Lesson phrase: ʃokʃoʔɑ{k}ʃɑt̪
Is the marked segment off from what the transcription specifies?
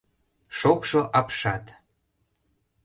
yes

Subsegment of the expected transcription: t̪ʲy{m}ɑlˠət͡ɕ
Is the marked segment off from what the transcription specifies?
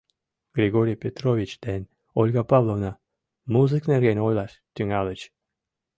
yes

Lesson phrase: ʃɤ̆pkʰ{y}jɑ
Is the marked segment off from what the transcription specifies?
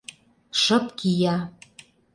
yes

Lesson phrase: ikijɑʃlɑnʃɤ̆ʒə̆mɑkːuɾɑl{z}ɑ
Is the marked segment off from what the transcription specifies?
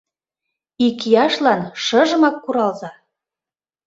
no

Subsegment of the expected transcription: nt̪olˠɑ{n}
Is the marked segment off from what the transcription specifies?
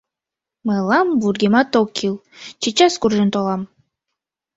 yes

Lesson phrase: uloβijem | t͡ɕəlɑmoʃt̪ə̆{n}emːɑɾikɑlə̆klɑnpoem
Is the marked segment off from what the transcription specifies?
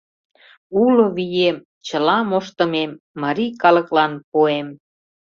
yes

